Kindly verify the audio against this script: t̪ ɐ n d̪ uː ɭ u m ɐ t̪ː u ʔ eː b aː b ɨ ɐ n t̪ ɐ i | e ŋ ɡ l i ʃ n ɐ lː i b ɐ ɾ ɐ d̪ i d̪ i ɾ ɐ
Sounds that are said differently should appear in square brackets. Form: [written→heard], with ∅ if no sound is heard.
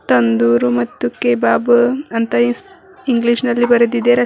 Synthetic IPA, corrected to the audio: t̪ ɐ n d̪ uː [ɭ→ɾ] u m ɐ t̪ː u [ʔ→k] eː b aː b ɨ ɐ n t̪ ɐ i | [e→i] ŋ ɡ l i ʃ n ɐ lː i b ɐ ɾ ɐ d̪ i d̪ [i→e] ɾ ɐ